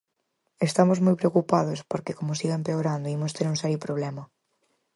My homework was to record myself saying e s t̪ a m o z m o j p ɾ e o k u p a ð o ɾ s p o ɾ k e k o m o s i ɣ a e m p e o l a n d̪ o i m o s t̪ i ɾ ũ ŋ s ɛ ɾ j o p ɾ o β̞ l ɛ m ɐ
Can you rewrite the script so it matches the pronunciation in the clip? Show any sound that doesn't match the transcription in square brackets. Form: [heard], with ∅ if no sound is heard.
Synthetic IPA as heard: e s t̪ a m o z m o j p ɾ e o k u p a ð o [∅] s p o ɾ k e k o m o s i ɣ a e m p e o [ɾ] a n d̪ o i m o s t̪ [e] ɾ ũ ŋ s ɛ ɾ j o p ɾ o β̞ l ɛ m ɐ